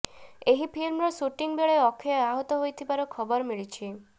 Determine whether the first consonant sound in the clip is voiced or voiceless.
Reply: voiced